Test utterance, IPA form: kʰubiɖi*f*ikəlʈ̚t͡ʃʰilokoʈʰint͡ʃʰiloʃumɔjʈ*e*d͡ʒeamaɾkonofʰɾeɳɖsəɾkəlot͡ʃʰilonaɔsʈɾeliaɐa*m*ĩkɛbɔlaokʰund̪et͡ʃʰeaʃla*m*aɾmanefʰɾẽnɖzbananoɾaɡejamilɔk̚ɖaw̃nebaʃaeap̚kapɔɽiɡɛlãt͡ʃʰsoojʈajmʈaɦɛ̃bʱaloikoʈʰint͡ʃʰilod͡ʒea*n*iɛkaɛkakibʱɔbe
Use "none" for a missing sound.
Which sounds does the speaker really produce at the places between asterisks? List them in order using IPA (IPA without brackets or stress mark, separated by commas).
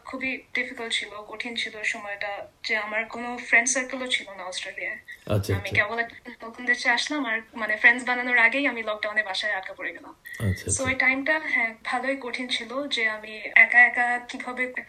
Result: f, a, m, m, m